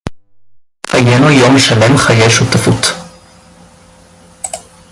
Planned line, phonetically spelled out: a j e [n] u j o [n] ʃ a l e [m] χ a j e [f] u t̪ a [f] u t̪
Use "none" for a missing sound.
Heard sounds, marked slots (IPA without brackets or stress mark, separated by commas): n, m, m, ʃ, f